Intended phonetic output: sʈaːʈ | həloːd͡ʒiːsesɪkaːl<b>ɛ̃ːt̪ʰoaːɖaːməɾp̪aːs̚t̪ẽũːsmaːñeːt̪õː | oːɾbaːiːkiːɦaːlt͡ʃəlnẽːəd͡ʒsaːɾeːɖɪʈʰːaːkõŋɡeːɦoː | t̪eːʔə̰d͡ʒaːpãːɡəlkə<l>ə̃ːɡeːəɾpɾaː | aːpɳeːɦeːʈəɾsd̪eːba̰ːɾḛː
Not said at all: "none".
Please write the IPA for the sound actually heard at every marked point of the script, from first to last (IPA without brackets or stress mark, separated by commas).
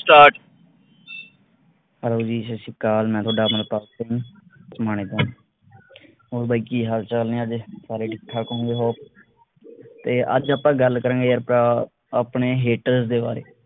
m, ɾ